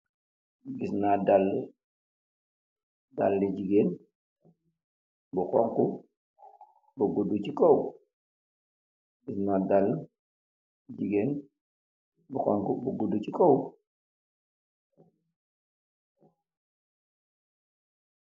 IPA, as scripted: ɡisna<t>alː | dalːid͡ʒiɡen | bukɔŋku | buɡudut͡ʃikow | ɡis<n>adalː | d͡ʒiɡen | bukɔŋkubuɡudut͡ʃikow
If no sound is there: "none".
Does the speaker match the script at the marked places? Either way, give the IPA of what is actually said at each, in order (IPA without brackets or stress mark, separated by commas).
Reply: d, n